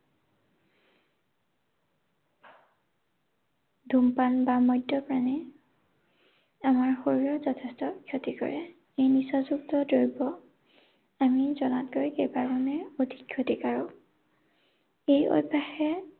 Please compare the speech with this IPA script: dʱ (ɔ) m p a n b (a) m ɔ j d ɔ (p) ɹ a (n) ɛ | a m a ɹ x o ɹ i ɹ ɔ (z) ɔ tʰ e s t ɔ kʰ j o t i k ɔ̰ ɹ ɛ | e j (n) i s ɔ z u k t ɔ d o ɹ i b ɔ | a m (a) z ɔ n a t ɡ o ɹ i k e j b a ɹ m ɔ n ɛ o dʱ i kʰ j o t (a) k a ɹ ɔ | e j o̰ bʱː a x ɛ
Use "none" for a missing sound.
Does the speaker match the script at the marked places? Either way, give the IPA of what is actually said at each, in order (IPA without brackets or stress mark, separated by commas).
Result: u, a, p, n, z, n, i, i